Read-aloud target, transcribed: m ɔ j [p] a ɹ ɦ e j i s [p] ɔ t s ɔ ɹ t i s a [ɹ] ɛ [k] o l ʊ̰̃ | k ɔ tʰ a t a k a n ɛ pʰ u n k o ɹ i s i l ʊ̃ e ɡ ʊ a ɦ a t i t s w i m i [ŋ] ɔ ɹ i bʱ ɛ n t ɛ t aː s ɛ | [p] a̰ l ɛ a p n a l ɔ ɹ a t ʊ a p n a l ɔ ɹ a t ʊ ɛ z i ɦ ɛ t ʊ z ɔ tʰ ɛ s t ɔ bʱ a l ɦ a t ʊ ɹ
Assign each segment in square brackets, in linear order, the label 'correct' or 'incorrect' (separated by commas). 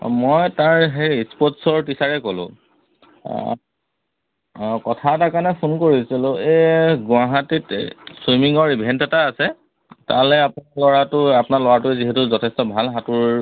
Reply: incorrect, correct, correct, correct, correct, incorrect